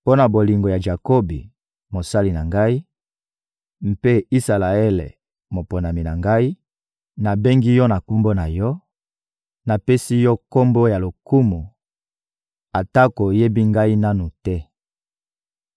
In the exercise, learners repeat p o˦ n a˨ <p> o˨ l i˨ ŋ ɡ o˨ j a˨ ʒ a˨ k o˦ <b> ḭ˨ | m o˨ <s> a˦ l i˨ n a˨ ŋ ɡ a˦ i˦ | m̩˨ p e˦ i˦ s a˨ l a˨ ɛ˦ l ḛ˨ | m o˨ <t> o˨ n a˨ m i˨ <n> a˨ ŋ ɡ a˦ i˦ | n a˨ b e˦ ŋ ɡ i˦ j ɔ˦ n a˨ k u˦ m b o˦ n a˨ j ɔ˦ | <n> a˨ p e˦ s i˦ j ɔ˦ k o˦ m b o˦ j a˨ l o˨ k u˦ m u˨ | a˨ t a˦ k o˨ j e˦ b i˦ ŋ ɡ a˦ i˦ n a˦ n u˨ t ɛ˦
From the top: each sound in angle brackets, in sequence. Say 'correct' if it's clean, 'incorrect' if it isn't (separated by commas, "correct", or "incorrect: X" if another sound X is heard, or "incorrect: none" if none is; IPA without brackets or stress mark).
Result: incorrect: b, correct, correct, incorrect: p, correct, correct